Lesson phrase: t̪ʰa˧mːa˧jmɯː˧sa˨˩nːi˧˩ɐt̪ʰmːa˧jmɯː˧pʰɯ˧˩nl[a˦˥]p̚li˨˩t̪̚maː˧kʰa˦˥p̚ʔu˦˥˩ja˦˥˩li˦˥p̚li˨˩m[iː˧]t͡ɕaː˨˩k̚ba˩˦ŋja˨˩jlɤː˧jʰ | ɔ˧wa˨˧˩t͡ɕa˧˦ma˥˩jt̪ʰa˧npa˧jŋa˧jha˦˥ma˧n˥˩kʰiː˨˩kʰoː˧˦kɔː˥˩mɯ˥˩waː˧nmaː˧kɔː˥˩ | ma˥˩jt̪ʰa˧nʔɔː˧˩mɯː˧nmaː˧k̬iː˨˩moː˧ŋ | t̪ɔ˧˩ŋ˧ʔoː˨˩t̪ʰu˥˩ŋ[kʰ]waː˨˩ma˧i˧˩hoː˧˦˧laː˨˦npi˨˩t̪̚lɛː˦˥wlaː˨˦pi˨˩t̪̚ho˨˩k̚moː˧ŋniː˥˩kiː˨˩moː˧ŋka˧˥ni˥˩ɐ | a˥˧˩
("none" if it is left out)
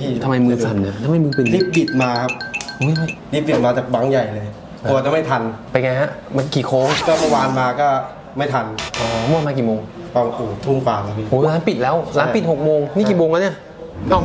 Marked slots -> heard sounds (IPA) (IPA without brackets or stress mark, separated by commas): i˦˥, aː˧, k